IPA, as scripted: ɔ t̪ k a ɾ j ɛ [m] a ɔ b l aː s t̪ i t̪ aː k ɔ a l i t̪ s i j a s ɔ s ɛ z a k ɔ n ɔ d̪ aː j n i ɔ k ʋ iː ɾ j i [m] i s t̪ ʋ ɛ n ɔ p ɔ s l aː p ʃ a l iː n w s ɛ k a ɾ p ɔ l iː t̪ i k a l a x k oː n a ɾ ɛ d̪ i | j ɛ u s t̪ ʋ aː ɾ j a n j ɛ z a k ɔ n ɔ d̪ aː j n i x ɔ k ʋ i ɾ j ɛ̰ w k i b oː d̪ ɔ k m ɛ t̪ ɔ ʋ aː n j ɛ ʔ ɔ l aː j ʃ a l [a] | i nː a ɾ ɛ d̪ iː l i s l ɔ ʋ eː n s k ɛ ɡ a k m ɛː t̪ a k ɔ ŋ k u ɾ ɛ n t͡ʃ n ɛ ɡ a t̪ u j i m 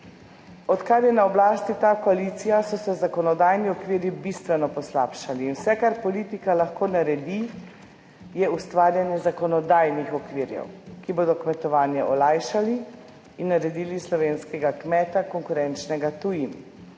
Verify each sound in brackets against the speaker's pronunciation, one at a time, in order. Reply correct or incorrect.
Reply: incorrect: n, incorrect: b, incorrect: i

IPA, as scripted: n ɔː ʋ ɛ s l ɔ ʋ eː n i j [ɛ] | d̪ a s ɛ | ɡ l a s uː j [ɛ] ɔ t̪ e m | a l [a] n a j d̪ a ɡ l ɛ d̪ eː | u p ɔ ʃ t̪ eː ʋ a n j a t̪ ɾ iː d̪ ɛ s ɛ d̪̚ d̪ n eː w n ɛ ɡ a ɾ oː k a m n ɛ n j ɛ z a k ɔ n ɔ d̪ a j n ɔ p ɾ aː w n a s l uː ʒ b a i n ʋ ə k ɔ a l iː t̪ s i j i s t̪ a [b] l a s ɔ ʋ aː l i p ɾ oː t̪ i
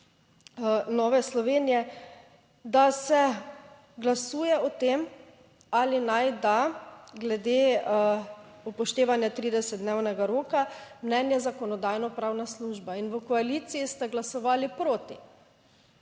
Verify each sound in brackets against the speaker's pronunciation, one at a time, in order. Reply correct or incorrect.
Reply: correct, correct, incorrect: i, incorrect: ɡ

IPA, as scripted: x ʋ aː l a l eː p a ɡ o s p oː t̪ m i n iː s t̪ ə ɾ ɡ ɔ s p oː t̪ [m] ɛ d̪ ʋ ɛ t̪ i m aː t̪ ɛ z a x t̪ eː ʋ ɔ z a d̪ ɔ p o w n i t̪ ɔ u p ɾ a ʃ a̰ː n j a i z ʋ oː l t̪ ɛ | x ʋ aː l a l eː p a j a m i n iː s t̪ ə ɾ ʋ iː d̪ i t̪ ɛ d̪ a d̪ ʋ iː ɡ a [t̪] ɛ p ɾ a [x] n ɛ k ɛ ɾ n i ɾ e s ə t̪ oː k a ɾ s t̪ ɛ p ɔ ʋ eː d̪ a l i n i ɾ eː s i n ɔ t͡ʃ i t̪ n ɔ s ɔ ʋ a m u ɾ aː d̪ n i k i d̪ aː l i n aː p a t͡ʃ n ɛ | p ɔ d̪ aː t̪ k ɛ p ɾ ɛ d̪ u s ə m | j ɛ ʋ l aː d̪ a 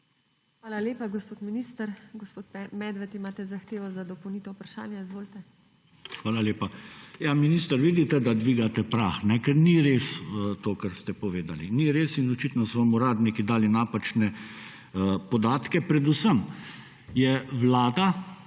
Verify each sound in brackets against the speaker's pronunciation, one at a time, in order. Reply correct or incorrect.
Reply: correct, correct, correct

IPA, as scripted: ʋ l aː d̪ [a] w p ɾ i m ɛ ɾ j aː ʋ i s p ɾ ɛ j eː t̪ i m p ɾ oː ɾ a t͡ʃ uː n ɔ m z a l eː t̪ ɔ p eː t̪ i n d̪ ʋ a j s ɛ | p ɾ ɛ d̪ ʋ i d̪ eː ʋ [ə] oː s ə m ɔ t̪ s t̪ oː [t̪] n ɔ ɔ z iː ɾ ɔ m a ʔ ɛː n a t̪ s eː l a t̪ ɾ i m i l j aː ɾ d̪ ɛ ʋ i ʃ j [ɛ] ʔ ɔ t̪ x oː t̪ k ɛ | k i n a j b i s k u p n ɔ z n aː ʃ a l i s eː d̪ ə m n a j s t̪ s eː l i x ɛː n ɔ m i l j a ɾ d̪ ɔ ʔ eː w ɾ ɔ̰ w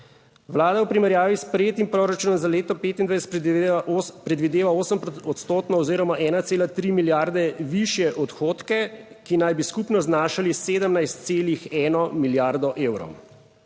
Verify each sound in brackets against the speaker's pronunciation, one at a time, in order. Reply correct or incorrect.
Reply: correct, incorrect: a, correct, correct

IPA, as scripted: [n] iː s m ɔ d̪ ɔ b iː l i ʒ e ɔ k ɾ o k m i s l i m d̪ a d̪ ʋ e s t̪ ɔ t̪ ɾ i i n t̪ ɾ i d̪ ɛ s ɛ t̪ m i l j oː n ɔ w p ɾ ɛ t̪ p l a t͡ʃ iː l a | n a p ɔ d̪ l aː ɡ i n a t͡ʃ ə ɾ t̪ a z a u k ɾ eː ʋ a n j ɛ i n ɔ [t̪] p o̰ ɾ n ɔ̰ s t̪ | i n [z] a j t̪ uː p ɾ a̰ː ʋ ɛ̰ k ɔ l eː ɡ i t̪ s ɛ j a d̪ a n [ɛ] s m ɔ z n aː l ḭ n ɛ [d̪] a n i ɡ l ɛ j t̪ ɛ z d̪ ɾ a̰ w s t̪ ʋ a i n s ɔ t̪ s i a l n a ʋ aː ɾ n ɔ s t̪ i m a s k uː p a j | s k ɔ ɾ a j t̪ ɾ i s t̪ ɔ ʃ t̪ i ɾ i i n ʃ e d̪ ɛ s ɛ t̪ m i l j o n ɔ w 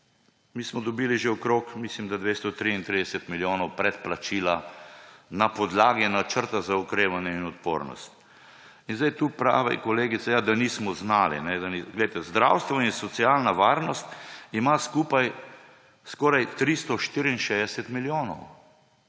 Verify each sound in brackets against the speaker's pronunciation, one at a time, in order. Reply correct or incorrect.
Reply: incorrect: m, correct, correct, incorrect: i, correct

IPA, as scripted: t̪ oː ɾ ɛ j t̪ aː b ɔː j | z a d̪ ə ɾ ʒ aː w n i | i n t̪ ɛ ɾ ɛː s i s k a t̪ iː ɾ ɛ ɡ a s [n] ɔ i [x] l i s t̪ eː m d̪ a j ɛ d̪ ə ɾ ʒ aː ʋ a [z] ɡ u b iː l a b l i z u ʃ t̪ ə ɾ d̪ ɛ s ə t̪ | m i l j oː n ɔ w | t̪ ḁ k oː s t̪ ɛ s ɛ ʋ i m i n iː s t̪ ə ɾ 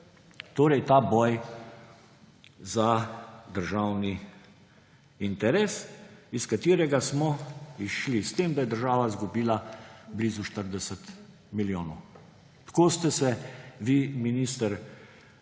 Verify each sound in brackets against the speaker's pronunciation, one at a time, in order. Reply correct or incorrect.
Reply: incorrect: m, incorrect: ʃ, correct

